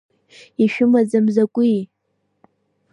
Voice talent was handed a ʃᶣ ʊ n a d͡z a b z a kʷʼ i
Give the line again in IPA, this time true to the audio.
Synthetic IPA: i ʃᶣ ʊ m a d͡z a m z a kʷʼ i

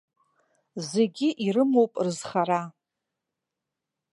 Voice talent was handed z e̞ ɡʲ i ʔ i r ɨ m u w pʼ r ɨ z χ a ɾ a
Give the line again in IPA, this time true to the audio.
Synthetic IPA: z e̞ ɡʲ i ʔ i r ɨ m o w pʼ r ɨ z χ a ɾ a

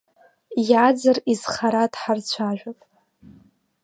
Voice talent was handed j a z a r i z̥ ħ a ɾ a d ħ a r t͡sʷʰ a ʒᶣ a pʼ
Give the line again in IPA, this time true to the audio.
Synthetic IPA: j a d͡z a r i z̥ χ a ɾ a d ħ a r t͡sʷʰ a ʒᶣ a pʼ

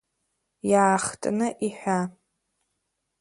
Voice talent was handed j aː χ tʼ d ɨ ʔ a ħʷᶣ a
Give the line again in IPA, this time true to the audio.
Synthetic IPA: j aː χ tʼ n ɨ ʔ i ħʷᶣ a

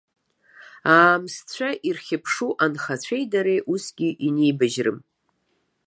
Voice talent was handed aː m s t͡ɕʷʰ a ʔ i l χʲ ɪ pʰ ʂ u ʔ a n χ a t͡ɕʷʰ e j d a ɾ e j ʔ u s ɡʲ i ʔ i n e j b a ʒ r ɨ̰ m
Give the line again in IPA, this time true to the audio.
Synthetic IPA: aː m s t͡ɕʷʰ a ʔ i r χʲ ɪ pʰ ʂ u ʔ a n χ a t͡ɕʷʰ e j d a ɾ e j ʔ u s ɡʲ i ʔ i n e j b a ʒ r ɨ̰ m

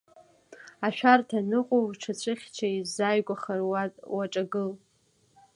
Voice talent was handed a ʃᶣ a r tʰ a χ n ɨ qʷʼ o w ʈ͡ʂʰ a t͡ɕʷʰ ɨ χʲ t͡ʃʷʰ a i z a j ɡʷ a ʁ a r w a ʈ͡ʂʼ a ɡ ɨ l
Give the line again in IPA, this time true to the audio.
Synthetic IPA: a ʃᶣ a r tʰ a n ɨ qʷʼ o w ʈ͡ʂʰ a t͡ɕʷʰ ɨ χʲ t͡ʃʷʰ a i z a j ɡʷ a χ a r w a ʈ͡ʂʼ a ɡ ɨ l

